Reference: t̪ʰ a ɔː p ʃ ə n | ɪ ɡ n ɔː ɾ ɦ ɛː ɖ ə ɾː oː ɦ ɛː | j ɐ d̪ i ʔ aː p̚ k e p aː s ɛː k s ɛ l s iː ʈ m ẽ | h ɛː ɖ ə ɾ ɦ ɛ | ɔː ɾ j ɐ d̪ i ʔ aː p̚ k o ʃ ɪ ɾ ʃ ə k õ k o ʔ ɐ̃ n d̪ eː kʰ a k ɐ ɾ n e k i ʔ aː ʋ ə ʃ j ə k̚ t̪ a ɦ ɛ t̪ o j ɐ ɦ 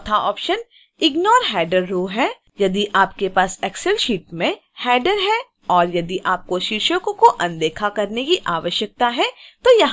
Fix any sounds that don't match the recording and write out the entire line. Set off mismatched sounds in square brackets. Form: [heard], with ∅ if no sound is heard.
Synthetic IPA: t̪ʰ a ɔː p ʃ ə n | ɪ ɡ n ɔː ɾ ɦ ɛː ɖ ə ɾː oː ɦ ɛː | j ɐ d̪ i ʔ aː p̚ k e p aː s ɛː k s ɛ l [ʃ] iː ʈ m ẽ | h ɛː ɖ ə ɾ ɦ ɛ | ɔː ɾ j ɐ d̪ i ʔ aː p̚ k o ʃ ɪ ɾ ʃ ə k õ k o ʔ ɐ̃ n d̪ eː kʰ a k ɐ ɾ n e k i ʔ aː ʋ ə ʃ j ə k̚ t̪ a ɦ ɛ t̪ o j ɐ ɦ